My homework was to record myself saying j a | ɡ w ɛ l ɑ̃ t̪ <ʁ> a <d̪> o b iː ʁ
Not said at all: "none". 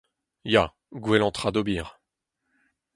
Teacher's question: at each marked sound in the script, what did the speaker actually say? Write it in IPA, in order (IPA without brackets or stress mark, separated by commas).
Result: χ, d̪